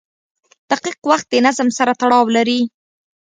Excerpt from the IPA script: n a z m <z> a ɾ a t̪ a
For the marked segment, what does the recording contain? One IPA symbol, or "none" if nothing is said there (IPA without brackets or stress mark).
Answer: s